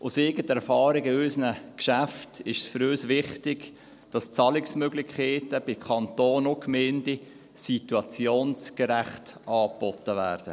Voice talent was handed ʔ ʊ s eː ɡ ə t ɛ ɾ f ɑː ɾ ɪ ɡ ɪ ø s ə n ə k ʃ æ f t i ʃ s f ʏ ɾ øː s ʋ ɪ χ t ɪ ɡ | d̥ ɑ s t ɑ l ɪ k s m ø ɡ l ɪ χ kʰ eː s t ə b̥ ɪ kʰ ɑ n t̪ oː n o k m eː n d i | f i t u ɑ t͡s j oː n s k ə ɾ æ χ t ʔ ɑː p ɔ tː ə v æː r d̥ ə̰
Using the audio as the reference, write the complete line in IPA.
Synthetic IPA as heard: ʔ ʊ s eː ɡ ə t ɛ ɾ f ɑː ɾ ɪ ɡ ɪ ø s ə n ə k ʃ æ f t ɪ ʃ s f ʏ ɾ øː s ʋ ɪ χ t ɪ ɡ | d̥ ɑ s t͡s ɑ l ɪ k s m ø ɡ l ɪ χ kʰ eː t ə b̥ ɪ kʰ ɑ n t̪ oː n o k m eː n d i | s i t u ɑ t͡s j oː n s k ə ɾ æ χ t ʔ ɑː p ɔ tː ə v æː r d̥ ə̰